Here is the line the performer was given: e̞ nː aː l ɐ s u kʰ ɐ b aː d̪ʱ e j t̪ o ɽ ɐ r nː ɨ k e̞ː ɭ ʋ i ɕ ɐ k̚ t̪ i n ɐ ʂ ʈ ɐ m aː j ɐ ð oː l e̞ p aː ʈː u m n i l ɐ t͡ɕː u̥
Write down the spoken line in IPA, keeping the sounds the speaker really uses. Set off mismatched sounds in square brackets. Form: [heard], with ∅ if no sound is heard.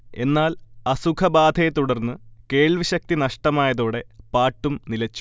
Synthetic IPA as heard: e̞ nː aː l ɐ s u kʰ ɐ b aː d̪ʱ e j t̪ [u] ɽ ɐ r nː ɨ k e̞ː ɭ ʋ i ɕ ɐ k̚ t̪ i n ɐ ʂ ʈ ɐ m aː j ɐ ð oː [ɽ] e̞ p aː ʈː u m n i l ɐ t͡ɕː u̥